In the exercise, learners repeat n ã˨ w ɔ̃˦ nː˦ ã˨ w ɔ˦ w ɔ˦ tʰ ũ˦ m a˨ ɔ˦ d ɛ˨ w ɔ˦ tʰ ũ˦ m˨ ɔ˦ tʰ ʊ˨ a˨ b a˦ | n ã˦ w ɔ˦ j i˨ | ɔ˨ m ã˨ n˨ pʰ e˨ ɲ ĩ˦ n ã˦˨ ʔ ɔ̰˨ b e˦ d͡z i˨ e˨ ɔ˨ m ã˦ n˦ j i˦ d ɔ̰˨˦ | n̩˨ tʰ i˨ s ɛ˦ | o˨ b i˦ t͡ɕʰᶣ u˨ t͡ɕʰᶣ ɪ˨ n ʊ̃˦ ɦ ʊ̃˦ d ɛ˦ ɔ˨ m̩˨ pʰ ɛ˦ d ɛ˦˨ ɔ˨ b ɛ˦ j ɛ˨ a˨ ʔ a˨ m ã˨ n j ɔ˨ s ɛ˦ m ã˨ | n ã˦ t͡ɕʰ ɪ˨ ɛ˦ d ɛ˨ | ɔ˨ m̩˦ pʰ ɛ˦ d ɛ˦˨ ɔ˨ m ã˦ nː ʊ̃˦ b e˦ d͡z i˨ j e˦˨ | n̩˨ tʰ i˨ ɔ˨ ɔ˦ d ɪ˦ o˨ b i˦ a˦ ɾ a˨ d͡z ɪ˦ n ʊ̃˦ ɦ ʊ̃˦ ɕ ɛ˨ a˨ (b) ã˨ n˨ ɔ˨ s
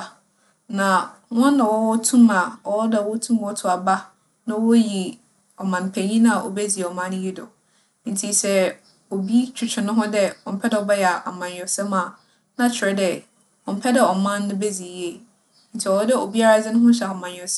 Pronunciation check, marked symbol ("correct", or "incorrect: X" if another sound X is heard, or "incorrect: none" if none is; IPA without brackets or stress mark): incorrect: m